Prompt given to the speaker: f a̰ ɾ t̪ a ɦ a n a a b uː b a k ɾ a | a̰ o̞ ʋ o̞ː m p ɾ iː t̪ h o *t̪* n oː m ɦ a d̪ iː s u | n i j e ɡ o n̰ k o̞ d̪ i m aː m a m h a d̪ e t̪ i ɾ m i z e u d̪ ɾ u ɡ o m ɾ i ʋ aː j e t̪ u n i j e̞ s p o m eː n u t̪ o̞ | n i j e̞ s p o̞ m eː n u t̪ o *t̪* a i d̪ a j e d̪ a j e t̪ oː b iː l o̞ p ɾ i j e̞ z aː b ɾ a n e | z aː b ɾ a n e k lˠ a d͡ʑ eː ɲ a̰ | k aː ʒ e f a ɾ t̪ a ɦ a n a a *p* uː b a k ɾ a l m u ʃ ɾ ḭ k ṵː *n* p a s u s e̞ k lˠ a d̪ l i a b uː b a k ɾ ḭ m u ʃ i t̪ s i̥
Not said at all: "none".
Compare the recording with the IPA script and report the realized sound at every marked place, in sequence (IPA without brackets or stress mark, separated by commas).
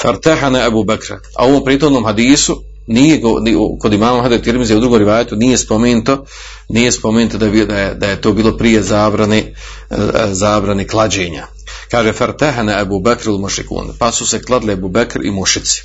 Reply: d̪, d̪, b, n